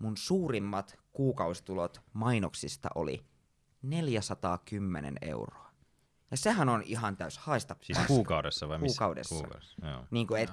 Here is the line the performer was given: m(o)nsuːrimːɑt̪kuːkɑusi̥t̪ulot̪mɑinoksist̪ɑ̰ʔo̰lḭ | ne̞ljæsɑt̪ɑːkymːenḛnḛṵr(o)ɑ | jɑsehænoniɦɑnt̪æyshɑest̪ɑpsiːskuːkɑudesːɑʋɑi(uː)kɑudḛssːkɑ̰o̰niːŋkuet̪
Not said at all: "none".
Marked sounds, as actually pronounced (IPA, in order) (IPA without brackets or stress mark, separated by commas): u, o, uː